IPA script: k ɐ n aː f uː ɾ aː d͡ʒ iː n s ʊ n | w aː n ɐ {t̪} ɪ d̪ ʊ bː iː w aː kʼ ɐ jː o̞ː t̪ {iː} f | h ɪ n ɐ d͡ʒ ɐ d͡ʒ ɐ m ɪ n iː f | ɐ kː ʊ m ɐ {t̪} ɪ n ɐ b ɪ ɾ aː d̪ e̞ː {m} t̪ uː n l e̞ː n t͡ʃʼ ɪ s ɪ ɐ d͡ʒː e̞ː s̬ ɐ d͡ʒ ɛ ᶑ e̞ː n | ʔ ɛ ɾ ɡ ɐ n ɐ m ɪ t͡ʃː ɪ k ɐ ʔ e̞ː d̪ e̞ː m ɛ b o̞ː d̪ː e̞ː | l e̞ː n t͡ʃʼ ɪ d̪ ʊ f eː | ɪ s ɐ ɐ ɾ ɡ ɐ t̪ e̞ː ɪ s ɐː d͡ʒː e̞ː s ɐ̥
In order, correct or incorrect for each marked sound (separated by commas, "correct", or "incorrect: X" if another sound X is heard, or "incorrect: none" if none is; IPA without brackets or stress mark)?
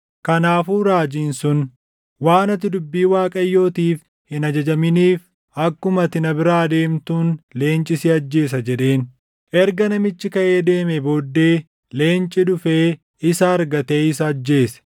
correct, correct, correct, correct